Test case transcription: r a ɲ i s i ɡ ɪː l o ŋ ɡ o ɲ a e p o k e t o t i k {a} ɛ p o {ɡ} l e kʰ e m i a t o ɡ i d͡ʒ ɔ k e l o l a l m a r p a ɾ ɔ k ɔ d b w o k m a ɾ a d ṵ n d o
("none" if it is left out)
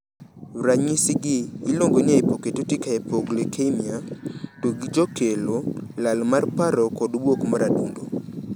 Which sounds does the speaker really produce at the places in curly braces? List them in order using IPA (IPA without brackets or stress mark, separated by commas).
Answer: a, ɡ